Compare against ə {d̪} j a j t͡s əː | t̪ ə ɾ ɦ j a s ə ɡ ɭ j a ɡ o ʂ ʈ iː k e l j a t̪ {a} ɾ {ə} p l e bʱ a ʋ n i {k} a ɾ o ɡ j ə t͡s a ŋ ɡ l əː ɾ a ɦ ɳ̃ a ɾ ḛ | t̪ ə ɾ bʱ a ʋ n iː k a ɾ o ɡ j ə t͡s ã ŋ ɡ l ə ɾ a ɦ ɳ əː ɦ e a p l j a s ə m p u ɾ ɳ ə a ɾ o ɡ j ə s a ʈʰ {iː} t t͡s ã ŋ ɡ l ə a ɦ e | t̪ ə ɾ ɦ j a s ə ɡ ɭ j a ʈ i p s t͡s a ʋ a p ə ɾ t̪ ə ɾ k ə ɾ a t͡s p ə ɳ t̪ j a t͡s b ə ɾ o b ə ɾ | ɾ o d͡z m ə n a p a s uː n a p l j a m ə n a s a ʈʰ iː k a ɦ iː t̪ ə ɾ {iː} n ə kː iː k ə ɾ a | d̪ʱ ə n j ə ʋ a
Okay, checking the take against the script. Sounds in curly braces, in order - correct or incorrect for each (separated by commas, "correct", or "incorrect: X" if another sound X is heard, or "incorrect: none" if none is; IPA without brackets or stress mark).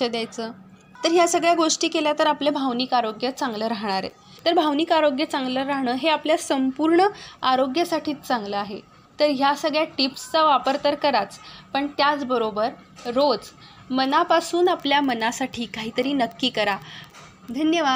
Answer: correct, incorrect: ə, incorrect: a, correct, correct, correct